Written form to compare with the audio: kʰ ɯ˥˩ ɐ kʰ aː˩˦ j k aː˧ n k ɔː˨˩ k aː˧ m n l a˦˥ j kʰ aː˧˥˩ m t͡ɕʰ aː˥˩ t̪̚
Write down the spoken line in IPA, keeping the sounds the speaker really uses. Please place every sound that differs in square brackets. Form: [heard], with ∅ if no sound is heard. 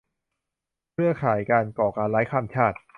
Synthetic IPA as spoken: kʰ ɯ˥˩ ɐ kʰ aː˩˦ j k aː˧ n k ɔː˨˩ k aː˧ [∅] n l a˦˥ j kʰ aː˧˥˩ m t͡ɕʰ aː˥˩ t̪̚